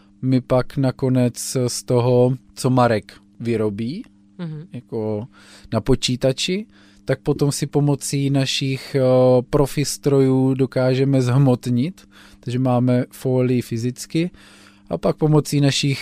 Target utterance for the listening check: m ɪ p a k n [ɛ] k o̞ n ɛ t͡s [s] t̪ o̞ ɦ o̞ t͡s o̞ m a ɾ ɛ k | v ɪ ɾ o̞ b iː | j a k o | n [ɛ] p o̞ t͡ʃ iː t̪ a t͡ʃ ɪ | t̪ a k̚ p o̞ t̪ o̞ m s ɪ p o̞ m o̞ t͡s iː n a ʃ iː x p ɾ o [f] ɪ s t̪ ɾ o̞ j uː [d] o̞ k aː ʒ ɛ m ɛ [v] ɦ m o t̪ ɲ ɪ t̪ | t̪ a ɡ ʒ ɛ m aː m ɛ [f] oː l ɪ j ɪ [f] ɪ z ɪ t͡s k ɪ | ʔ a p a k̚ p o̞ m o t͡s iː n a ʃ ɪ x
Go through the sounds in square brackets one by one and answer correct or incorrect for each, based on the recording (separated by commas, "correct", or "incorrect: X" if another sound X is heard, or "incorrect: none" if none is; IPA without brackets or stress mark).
incorrect: a, correct, incorrect: a, correct, correct, incorrect: z, correct, correct